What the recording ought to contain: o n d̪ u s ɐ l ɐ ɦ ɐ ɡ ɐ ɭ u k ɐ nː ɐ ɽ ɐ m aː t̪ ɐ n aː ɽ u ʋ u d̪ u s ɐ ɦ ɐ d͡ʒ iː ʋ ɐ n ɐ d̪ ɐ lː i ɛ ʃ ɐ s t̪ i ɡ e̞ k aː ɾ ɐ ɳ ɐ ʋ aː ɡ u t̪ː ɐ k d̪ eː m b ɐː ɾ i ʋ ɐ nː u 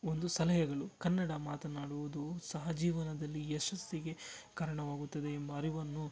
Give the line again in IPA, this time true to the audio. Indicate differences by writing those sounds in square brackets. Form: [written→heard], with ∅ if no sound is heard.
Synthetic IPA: o n d̪ u s ɐ l ɐ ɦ ɐ ɡ ɐ ɭ u k ɐ nː ɐ ɽ ɐ m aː t̪ ɐ n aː ɽ u ʋ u d̪ u s ɐ ɦ ɐ d͡ʒ iː ʋ ɐ n ɐ d̪ ɐ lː i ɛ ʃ ɐ s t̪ i ɡ e̞ k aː ɾ ɐ ɳ ɐ ʋ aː ɡ u t̪ː ɐ [k→∅] d̪ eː m b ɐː ɾ i ʋ ɐ nː u